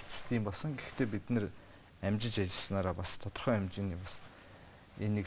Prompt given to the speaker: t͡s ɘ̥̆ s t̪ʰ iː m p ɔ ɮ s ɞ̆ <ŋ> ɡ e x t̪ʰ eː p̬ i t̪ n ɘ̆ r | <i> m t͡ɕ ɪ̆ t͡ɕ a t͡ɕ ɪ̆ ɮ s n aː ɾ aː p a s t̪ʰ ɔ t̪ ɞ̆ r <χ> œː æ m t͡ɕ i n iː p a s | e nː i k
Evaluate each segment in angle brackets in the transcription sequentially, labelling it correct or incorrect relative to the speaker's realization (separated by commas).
correct, incorrect, correct